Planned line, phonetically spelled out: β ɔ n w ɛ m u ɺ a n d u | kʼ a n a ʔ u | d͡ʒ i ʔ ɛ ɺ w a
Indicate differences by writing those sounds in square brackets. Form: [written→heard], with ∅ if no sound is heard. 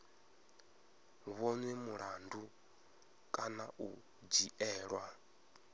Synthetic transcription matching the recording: β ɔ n w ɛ m u ɺ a n d u | kʼ a n a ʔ u | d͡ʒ i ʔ [ɛ→ɛː] ɺ w a